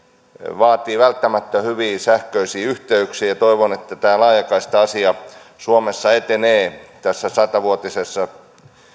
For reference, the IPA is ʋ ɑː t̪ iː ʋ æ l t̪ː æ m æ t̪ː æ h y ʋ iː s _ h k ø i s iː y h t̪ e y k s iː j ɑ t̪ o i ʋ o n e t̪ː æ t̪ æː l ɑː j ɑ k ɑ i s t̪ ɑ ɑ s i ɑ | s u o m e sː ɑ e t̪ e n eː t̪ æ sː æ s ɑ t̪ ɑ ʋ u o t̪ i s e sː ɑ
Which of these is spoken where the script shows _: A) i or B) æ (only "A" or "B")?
B